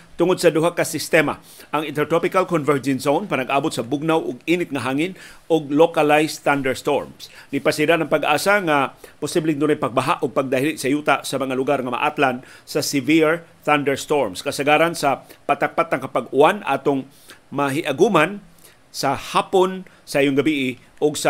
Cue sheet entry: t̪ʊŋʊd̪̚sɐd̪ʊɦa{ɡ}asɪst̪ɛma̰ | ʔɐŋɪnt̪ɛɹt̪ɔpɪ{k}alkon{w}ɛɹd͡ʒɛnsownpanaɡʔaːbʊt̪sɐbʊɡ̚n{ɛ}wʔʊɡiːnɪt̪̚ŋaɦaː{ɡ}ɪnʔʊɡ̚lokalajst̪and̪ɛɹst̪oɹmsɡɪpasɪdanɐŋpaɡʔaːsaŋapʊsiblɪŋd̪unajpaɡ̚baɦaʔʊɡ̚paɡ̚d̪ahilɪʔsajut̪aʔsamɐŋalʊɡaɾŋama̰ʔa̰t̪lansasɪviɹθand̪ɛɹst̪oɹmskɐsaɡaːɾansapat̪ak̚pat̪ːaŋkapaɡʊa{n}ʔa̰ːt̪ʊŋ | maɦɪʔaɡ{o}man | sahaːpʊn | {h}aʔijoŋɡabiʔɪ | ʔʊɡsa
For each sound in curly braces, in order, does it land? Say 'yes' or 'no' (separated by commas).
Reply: no, yes, no, no, no, yes, no, no